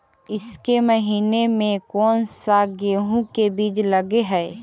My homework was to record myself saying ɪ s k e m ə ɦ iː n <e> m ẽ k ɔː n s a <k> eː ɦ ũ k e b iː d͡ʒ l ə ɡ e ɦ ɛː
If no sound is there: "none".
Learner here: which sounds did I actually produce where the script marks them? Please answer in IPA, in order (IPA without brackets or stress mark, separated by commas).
e, ɡ